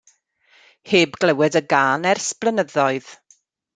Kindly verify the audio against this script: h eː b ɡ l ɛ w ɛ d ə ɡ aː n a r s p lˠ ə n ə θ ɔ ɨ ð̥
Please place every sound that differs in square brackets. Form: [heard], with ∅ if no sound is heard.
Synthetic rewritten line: h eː b ɡ l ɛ w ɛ d ə ɡ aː n [ɛ] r s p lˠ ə n ə [ð] ɔ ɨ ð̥